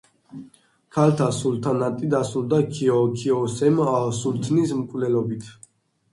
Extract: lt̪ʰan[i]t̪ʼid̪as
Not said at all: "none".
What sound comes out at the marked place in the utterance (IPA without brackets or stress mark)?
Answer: a